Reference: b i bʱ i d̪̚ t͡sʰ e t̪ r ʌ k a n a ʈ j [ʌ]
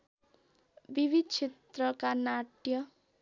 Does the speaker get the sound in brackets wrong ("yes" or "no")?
no